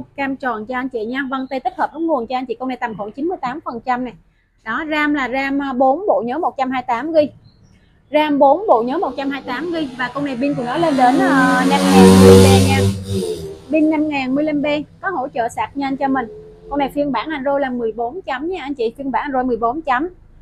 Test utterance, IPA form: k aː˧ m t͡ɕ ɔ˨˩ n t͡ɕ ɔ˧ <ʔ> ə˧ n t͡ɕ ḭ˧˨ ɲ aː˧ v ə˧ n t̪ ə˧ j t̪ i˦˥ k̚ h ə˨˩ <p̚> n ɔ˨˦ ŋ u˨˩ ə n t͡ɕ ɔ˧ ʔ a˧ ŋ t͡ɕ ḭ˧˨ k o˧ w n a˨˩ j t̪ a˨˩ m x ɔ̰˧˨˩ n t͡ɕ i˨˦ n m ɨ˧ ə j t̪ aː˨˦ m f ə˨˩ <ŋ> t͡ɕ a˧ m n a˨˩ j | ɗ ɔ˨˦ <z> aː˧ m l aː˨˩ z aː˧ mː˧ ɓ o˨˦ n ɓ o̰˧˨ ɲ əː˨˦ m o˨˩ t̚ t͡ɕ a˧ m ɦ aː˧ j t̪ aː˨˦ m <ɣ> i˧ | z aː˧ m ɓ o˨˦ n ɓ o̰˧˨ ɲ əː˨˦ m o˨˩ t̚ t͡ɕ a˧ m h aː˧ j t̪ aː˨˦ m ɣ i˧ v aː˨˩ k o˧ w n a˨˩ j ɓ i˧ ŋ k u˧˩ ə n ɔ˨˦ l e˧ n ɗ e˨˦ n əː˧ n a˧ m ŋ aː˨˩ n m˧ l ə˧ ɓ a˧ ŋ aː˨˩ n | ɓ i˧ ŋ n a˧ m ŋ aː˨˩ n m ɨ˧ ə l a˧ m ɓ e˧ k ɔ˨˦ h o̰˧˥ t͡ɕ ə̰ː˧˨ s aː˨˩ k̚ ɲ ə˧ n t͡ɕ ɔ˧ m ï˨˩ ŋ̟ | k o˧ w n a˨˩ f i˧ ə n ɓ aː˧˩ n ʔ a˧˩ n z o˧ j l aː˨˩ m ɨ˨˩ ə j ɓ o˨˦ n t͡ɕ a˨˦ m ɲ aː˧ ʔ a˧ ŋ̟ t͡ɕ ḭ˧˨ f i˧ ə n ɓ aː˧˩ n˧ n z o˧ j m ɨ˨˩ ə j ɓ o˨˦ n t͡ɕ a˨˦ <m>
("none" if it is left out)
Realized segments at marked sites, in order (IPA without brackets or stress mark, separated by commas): ʔ, p̚, n, z, ɣ, m